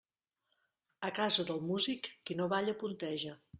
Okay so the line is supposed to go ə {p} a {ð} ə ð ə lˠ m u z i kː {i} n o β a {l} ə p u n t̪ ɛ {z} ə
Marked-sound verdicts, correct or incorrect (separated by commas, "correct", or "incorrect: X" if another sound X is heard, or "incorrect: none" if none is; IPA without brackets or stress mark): incorrect: k, incorrect: z, correct, incorrect: ʎ, incorrect: ʒ